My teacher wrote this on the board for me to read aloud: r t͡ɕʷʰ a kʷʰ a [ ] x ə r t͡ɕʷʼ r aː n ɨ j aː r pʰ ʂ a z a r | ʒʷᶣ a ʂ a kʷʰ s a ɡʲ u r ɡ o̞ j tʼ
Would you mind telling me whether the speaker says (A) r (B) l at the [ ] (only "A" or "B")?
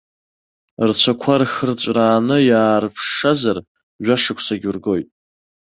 A